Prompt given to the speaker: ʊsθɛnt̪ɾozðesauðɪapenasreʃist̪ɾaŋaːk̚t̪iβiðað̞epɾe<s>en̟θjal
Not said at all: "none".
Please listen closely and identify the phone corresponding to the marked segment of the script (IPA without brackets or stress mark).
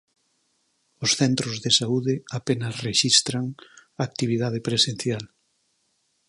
s